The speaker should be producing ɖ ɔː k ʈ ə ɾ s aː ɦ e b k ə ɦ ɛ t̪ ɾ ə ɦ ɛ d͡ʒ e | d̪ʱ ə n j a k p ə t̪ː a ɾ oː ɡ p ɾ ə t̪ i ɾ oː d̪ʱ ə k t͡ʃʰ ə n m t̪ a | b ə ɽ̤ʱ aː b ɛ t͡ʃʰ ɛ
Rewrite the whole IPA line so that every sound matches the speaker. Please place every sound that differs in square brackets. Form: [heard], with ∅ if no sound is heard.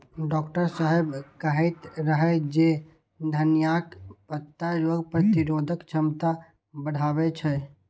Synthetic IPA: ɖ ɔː k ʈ ə ɾ s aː ɦ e b k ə ɦ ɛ t̪ ɾ ə ɦ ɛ d͡ʒ e | d̪ʱ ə n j a k p ə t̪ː a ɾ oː ɡ p ɾ ə t̪ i ɾ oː d̪ʱ ə k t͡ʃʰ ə [∅] m t̪ a | b ə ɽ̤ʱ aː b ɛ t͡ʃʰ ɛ